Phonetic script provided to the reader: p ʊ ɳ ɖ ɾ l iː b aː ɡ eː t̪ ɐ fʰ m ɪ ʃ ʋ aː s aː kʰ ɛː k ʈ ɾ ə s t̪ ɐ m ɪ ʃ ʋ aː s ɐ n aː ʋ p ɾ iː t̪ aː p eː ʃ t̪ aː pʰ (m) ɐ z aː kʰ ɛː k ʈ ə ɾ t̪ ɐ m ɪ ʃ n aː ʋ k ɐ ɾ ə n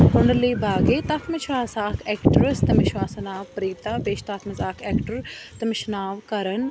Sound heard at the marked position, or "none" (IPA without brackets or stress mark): m